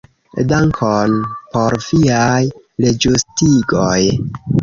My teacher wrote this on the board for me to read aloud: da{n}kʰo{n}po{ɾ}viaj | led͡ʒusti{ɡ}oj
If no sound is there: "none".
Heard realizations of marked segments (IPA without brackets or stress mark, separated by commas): ŋ, n, ɾ, ɡ